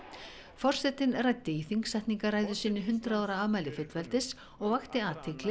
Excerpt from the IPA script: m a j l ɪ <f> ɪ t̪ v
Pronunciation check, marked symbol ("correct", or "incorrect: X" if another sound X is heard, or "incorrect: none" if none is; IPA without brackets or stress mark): correct